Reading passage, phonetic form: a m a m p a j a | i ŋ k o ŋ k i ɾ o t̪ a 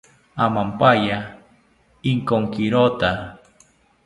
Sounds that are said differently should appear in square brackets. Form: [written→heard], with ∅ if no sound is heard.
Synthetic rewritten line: a m a m p a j a | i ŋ k o ŋ k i ɾ o t̪ a